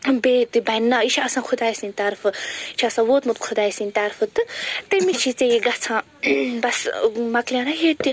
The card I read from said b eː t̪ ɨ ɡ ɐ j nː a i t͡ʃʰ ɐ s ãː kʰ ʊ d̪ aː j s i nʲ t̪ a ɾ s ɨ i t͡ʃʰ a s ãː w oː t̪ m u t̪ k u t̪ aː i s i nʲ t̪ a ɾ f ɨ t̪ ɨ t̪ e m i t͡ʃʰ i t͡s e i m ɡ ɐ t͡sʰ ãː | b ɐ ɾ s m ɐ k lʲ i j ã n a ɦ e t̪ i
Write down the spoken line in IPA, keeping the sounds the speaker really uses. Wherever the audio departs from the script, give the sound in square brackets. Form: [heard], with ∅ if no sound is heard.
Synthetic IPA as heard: b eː t̪ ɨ [b] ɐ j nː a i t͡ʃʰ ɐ s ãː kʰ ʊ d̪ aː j s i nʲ t̪ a ɾ [f] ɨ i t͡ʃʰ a s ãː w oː t̪ m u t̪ [kʰ] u [d̪] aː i s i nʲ t̪ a ɾ f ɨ t̪ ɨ t̪ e m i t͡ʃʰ i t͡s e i [∅] ɡ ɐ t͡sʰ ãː | b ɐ [∅] s m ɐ k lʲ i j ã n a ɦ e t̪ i